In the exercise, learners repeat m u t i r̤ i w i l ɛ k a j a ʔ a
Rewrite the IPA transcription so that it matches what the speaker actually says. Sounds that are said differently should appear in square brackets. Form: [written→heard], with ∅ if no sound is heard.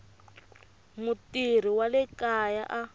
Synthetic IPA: m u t i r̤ i w [i→a] l ɛ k a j a ʔ a